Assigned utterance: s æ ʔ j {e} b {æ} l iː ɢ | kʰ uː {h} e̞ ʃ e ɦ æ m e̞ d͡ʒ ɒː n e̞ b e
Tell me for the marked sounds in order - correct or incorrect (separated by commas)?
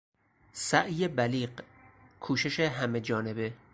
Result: correct, correct, incorrect